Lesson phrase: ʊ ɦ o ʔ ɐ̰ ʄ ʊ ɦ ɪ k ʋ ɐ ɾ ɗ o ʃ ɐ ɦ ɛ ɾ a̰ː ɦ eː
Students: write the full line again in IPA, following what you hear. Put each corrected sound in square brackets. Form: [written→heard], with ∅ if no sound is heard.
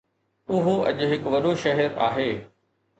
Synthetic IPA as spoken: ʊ ɦ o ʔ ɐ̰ ʄ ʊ ɦ ɪ k ʋ ɐ [ɾ→∅] ɗ o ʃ ɐ ɦ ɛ ɾ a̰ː ɦ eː